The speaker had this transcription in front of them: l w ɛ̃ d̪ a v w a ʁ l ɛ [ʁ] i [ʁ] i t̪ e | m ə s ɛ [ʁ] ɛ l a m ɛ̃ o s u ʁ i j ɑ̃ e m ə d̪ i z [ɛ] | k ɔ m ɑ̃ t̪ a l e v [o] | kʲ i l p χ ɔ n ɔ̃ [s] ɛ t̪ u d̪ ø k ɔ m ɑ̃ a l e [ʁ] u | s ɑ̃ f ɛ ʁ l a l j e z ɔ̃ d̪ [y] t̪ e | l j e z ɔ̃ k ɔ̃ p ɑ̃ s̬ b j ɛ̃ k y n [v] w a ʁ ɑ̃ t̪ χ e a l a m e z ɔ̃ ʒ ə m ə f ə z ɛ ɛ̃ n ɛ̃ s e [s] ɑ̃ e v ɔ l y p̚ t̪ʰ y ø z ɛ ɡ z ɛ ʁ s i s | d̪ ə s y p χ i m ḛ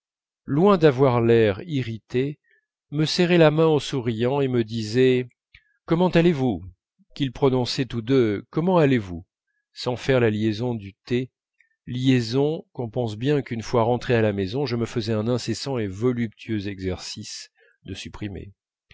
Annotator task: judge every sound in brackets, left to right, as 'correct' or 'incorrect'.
correct, correct, correct, correct, incorrect, correct, incorrect, correct, incorrect, correct

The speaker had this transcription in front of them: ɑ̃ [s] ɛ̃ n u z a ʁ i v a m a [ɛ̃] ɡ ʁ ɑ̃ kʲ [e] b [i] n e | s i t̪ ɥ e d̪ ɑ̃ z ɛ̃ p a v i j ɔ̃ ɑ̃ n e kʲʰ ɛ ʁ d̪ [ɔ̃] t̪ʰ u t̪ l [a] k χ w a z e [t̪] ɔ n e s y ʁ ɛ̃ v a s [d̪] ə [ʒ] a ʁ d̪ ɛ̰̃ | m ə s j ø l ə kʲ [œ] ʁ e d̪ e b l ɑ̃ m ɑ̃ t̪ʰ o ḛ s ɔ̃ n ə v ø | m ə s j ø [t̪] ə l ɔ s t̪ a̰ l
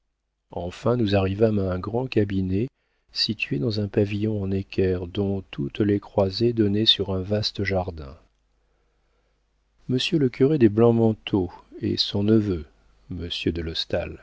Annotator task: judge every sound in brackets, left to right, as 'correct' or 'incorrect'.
incorrect, correct, incorrect, correct, correct, incorrect, incorrect, incorrect, correct, incorrect, incorrect

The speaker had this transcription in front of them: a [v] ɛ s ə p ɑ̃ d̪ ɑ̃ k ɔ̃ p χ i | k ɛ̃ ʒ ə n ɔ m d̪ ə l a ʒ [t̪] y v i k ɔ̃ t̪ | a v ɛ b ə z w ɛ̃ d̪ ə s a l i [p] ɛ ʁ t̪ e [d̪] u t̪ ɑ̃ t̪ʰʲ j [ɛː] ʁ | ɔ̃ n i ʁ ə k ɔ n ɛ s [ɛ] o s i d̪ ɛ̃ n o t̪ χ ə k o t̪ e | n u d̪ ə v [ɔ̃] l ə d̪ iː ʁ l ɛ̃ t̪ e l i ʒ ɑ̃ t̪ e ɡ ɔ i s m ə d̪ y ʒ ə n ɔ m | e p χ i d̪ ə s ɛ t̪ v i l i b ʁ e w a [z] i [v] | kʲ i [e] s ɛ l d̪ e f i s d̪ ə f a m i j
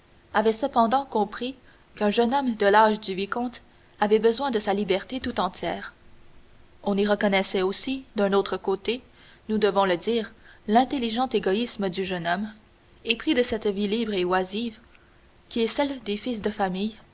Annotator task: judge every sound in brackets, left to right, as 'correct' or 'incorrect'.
correct, incorrect, incorrect, incorrect, correct, correct, correct, correct, correct, incorrect

